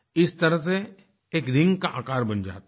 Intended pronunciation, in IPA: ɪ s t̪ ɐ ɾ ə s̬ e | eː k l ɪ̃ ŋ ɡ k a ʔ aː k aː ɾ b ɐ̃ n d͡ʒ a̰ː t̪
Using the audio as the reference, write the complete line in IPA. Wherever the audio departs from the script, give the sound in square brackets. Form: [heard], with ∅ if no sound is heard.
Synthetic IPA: ɪ s t̪ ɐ ɾ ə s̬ e | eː k [ɾ] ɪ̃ ŋ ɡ k a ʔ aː k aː ɾ b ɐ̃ n d͡ʒ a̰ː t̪